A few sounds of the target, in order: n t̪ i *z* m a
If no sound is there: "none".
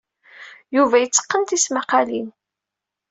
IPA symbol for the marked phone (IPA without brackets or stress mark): s